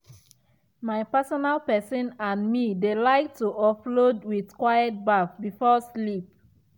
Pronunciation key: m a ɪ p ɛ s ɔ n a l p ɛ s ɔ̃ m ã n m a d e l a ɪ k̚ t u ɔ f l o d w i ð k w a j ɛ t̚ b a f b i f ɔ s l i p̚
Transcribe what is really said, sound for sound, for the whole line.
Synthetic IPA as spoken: m a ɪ p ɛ s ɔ n a l p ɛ s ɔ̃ n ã n m i d e l a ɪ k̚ t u ɔ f l o d w i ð k w a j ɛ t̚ b a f b i f ɔ s l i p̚